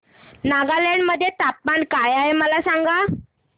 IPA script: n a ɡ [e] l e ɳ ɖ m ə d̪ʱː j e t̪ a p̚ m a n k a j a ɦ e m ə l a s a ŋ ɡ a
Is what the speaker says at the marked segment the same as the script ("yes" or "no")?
no